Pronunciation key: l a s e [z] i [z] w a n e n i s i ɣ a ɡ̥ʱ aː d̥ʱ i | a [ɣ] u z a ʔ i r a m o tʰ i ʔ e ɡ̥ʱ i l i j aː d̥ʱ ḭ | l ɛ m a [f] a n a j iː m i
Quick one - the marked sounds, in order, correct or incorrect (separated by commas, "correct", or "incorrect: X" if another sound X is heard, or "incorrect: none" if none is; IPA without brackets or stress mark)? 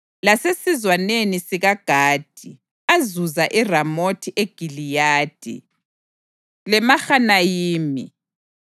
incorrect: s, correct, incorrect: z, incorrect: x